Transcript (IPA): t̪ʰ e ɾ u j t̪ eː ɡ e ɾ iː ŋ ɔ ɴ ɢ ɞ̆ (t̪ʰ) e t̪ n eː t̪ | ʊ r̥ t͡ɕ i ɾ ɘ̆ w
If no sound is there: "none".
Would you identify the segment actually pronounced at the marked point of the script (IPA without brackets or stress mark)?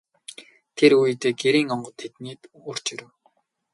t̪ʰ